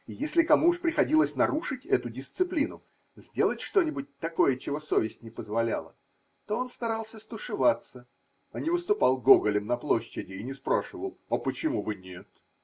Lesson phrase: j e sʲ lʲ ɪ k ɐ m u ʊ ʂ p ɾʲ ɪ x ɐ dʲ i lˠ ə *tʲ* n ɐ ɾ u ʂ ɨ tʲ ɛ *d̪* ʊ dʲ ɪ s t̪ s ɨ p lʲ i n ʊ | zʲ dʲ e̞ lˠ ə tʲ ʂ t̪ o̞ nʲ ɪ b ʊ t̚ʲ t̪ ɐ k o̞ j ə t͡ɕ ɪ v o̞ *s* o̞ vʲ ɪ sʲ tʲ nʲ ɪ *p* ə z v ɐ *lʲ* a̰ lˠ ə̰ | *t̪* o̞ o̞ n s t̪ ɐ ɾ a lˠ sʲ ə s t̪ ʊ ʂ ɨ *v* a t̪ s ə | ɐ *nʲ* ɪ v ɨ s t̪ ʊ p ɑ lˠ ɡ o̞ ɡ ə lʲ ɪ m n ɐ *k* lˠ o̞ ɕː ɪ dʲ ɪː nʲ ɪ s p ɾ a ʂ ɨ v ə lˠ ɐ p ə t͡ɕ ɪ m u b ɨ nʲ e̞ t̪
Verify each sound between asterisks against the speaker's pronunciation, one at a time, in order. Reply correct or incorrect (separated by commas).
incorrect, incorrect, correct, correct, correct, correct, correct, correct, incorrect